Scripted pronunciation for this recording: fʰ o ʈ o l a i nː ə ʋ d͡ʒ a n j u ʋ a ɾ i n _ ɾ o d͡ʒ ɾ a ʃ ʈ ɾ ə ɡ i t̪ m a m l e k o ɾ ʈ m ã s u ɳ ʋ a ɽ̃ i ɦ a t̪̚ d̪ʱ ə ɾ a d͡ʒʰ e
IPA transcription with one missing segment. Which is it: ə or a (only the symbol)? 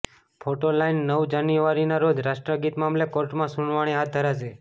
a